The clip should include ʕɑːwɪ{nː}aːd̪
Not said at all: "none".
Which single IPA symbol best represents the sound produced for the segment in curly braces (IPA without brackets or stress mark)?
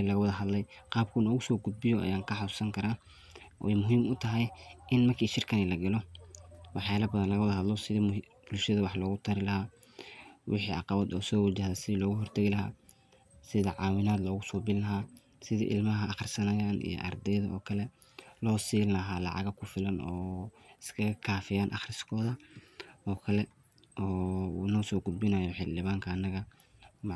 n